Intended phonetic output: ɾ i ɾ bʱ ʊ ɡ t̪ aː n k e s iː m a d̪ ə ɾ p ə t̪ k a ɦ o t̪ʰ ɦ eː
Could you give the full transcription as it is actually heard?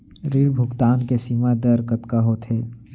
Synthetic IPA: ɾ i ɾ bʱ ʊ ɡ t̪ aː n k e s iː m a d̪ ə ɾ k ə t̪ k a ɦ o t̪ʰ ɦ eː

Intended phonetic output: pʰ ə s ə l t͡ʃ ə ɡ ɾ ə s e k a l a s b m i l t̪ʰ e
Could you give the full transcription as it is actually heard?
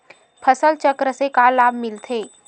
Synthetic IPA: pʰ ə s ə l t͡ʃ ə k ɾ ə s e k a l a b m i l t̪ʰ e

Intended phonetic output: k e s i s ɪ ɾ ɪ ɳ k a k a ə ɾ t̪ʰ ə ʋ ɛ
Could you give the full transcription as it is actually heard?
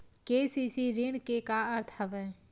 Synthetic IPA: k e s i s i ɾ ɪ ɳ k e k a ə ɾ t̪ʰ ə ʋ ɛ

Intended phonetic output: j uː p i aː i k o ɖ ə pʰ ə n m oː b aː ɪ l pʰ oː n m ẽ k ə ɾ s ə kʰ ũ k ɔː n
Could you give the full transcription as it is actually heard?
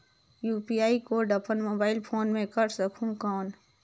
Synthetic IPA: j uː p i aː i k o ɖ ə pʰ ə n m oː b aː ɪ l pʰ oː n m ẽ k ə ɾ s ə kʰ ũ k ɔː n

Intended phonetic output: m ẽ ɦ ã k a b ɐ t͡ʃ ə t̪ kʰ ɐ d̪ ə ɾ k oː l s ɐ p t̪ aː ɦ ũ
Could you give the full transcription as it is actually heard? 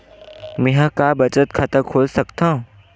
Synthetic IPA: m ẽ ɦ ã k a b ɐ t͡ʃ ə t̪ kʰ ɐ t̪ ə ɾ kʰ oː l s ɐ k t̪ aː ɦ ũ

